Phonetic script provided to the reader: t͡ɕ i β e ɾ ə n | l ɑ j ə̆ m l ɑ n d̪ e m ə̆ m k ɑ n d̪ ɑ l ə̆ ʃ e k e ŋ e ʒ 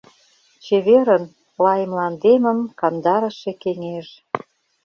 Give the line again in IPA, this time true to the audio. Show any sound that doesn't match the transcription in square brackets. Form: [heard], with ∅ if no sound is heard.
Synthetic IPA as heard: t͡ɕ [e] β e ɾ ə n | l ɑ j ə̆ m l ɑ n d̪ e m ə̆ m k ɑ n d̪ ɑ [ɾ] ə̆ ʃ e k e ŋ e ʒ